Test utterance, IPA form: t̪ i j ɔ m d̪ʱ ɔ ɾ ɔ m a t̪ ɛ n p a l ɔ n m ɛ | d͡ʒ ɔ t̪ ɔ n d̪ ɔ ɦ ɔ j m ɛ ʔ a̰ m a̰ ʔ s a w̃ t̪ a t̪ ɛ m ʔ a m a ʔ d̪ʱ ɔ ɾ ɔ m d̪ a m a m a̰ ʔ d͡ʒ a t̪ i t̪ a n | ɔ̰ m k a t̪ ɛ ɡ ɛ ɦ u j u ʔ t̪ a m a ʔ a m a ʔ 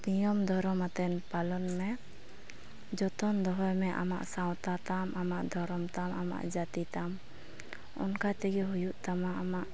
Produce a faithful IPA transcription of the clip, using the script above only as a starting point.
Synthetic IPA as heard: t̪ i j ɔ m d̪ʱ ɔ ɾ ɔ m a t̪ ɛ n p a l ɔ n m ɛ | d͡ʒ ɔ t̪ ɔ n d̪ ɔ ɦ ɔ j m ɛ ʔ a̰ m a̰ ʔ s a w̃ t̪ a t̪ a m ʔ a m a ʔ d̪ʱ ɔ ɾ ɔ m t̪ a m a m a̰ ʔ d͡ʒ a t̪ i t̪ a m | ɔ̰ n k a t̪ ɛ ɡ ɛ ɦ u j u ʔ t̪ a m a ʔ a m a ʔ